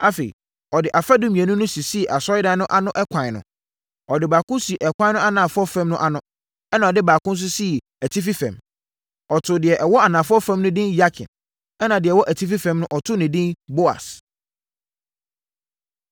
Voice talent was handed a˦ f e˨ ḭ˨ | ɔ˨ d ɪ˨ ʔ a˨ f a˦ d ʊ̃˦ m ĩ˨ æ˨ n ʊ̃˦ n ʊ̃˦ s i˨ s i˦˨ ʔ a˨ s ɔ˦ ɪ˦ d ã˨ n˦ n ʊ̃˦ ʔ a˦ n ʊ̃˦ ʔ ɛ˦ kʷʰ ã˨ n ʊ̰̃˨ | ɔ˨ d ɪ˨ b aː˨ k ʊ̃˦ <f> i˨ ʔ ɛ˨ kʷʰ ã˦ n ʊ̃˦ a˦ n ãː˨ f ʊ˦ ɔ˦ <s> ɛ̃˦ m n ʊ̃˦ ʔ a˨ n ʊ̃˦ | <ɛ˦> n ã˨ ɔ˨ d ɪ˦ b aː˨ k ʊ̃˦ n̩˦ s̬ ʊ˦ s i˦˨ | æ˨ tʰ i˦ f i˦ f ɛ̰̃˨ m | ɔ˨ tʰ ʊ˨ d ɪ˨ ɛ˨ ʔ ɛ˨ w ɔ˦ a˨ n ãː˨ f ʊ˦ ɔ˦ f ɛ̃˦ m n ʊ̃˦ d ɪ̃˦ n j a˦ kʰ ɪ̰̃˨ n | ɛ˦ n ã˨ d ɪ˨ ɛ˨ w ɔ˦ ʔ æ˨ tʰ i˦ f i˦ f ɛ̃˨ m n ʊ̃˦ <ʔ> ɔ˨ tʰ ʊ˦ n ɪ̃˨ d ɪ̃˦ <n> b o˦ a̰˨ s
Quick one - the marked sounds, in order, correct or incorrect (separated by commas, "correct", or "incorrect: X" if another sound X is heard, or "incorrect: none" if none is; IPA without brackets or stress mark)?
incorrect: s, incorrect: f, correct, correct, correct